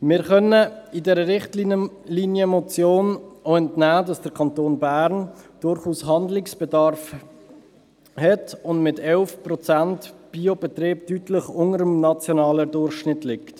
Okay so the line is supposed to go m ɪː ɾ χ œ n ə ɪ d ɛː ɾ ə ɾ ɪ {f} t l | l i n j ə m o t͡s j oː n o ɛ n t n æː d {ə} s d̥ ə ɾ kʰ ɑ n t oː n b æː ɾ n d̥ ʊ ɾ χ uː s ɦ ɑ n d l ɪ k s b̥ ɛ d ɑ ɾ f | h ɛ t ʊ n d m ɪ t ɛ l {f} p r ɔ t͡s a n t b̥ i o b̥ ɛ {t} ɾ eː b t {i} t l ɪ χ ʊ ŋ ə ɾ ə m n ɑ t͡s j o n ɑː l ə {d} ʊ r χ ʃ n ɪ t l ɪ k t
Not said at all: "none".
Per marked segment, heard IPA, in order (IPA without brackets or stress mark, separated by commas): χ, ɑ, f, t, y, d